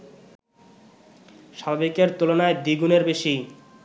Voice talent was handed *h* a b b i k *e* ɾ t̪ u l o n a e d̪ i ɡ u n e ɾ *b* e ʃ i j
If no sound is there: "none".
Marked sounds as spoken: ʃ, e, b

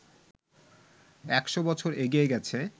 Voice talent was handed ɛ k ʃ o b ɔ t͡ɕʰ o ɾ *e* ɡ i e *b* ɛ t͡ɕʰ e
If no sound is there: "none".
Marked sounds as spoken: e, ɡ

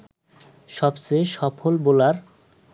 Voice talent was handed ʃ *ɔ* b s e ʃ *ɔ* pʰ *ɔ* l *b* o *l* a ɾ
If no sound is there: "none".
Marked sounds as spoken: ɔ, ɔ, o, b, l

